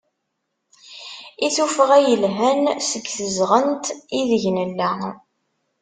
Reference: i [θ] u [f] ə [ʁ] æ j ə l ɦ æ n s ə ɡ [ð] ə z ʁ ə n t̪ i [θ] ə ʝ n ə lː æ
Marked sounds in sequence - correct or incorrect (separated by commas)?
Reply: correct, correct, correct, incorrect, incorrect